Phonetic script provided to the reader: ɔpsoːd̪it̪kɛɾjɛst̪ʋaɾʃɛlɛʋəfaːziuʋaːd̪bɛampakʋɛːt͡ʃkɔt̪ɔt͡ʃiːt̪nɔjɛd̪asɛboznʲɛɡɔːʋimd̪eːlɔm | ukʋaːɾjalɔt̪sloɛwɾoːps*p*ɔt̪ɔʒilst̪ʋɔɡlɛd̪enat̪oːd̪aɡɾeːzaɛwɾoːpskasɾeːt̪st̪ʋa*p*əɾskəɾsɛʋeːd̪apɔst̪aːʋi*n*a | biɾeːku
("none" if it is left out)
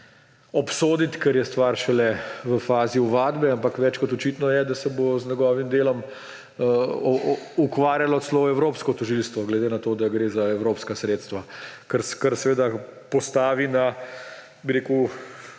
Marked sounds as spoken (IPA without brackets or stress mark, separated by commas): k, k, n